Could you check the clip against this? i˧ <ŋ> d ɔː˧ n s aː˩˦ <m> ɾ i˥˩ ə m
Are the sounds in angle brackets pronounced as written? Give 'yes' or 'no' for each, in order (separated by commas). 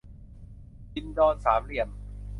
no, yes